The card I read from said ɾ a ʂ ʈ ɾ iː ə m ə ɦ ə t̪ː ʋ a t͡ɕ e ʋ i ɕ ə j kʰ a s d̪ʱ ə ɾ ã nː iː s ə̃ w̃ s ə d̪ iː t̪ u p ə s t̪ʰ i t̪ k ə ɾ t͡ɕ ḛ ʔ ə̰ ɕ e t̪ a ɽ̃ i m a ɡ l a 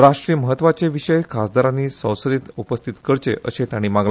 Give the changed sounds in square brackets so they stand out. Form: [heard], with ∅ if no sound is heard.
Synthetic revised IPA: ɾ a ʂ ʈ ɾ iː ə m ə ɦ ə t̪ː ʋ a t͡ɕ e ʋ i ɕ ə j kʰ a s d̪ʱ [a] ɾ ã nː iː s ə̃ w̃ s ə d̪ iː t̪ u p ə s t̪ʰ i t̪ k ə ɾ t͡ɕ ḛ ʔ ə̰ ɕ e t̪ a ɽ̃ i m a ɡ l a